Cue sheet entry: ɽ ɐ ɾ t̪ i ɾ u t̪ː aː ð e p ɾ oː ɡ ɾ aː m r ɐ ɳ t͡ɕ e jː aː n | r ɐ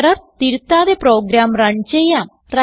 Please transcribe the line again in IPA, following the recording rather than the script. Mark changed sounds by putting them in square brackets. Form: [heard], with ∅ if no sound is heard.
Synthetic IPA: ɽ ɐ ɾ t̪ i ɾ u t̪ː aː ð e p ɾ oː ɡ ɾ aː m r ɐ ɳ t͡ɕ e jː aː [m] | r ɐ